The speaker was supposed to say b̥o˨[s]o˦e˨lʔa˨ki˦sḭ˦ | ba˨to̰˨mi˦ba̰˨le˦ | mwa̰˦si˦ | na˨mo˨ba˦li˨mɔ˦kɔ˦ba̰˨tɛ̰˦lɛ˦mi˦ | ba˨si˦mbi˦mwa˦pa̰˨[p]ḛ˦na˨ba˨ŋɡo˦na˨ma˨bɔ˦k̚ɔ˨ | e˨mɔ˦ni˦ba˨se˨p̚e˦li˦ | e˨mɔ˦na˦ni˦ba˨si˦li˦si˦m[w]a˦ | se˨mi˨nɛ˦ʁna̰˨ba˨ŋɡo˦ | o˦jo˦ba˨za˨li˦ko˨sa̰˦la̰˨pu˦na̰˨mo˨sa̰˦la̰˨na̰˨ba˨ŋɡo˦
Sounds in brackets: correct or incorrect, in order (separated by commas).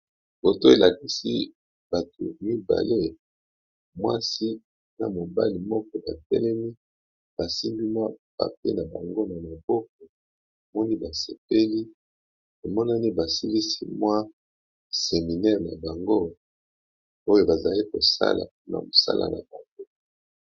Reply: incorrect, correct, correct